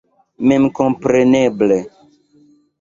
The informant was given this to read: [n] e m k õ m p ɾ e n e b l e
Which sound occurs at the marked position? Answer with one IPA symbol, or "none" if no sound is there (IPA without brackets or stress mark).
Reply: m